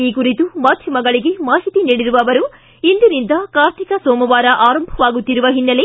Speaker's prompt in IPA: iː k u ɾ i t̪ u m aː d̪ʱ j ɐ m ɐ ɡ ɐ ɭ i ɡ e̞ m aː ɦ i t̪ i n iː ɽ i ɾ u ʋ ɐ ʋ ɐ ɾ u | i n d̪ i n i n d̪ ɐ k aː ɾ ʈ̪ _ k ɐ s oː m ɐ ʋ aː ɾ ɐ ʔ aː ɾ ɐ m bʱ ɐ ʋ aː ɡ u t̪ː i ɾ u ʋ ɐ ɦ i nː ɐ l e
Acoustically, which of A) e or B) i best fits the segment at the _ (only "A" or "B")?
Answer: B